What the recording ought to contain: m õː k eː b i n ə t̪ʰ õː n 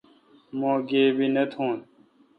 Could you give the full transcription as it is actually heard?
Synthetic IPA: m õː ɡ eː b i n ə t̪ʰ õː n